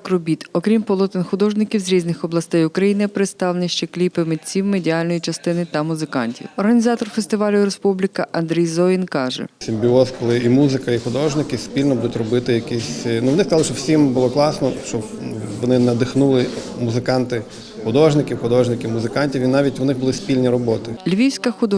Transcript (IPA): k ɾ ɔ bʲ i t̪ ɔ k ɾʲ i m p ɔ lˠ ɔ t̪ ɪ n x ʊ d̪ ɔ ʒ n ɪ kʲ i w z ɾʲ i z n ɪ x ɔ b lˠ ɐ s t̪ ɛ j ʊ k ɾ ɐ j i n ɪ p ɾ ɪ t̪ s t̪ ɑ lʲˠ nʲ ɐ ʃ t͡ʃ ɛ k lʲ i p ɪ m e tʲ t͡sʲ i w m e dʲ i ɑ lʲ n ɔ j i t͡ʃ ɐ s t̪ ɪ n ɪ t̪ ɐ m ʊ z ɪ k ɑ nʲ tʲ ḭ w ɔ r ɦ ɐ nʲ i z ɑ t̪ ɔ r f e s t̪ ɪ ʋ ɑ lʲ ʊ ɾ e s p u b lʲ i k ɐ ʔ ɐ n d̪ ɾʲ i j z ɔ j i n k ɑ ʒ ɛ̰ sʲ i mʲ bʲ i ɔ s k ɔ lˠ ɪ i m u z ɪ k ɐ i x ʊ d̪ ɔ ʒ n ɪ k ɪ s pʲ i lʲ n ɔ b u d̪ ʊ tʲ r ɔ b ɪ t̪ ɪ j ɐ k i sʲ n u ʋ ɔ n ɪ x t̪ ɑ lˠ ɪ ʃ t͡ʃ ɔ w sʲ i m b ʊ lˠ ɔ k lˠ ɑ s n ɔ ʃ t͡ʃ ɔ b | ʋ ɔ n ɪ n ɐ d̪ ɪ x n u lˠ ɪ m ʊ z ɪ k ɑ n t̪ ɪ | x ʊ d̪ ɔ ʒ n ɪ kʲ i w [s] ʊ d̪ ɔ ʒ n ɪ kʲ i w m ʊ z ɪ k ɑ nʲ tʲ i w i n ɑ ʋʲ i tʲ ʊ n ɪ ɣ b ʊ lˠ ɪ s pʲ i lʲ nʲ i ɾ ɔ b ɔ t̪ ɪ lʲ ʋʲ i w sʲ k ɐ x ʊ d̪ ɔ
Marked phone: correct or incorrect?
incorrect